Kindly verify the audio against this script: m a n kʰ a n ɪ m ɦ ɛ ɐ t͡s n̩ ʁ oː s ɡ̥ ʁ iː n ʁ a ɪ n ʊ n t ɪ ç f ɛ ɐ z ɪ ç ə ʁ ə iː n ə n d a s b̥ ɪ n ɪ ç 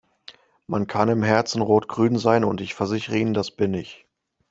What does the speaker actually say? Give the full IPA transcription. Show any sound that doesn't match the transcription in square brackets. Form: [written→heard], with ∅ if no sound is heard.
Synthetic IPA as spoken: m a n kʰ a n ɪ m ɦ ɛ ɐ t͡s n̩ ʁ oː [s→t] ɡ̥ ʁ [iː→yː] n [ʁ→z] a ɪ n ʊ n t ɪ ç f ɛ ɐ z ɪ ç ə ʁ ə iː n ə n d a s b̥ ɪ n ɪ ç

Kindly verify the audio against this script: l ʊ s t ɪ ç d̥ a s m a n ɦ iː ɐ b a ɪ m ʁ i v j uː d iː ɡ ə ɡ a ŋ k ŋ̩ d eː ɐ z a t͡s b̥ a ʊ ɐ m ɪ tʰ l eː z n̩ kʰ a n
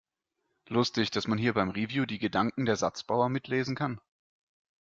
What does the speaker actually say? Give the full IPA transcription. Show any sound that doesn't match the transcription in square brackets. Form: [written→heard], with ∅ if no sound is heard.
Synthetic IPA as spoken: l ʊ s t ɪ ç d̥ a s m a n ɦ iː ɐ b a ɪ m ʁ i v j uː d iː ɡ ə [ɡ→d] a ŋ k ŋ̩ d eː ɐ z a t͡s b̥ a ʊ ɐ m ɪ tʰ l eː z n̩ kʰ a n

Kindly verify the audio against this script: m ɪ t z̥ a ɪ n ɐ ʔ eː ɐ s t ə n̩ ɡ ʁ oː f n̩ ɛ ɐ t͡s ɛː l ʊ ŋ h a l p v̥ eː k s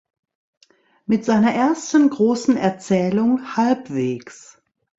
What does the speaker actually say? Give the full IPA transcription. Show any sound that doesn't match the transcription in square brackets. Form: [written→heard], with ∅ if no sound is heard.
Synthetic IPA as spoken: m ɪ t z̥ a ɪ n ɐ ʔ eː ɐ s t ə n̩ ɡ ʁ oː [f→s] n̩ ɛ ɐ t͡s ɛː l ʊ ŋ h a l p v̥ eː k s

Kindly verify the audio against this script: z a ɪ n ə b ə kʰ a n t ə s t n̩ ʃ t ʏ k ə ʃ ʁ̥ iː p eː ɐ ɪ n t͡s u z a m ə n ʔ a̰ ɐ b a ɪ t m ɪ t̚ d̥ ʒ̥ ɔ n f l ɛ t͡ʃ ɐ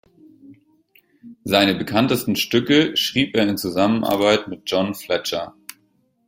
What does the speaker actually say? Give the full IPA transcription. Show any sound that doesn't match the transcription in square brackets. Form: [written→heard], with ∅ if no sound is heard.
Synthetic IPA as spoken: z a ɪ n ə b ə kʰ a n t ə s t n̩ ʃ t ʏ k ə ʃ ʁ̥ iː p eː ɐ ɪ n t͡s u z a m ə n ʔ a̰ ɐ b a ɪ t m ɪ t̚ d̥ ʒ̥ ɔ n f l ɛ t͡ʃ ɐ

